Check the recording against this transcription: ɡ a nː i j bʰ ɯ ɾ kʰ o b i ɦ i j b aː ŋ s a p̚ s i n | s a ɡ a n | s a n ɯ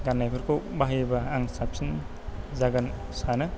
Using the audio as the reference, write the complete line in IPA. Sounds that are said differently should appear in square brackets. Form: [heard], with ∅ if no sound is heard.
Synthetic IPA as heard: ɡ a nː [a] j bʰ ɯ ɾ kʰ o b [a] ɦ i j b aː ŋ s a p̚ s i n | [z] a ɡ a n | s a n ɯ